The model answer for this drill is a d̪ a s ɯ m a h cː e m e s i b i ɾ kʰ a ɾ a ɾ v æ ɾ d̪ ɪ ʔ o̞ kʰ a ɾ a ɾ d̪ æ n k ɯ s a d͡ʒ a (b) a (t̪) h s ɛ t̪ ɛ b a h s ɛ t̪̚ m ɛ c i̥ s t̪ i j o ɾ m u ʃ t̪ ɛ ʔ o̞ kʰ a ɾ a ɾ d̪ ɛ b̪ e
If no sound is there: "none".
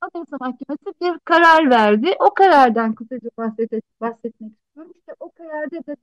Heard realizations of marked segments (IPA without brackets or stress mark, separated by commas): b, none